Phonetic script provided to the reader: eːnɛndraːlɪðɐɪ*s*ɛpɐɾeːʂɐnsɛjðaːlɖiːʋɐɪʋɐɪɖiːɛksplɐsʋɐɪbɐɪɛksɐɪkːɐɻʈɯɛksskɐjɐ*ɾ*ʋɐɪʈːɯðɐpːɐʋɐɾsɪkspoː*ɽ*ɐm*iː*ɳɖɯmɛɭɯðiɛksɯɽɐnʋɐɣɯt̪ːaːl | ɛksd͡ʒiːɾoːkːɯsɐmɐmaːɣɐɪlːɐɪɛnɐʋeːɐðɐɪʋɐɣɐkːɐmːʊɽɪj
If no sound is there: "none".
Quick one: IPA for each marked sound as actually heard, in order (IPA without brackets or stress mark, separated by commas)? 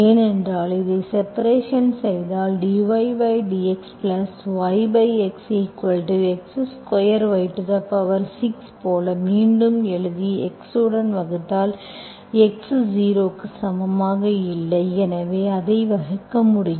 s, ɾ, l, iː